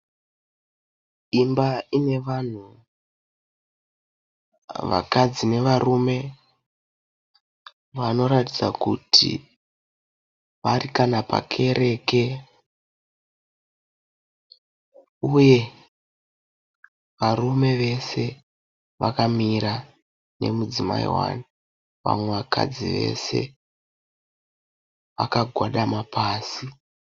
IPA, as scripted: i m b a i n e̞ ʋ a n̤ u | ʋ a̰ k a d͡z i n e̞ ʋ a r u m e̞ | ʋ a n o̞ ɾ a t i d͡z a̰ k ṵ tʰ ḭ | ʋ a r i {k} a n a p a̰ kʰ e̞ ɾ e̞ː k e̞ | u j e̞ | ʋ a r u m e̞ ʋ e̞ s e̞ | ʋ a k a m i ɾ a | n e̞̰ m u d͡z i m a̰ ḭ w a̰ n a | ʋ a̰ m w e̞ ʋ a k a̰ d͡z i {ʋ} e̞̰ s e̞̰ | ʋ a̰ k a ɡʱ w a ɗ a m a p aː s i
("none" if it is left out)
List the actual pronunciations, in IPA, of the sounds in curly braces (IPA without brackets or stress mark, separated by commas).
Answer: k, ʋ